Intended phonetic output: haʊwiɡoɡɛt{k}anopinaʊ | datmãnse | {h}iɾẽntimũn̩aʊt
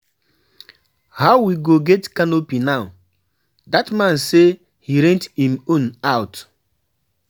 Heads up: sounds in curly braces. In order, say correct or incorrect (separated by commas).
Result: correct, correct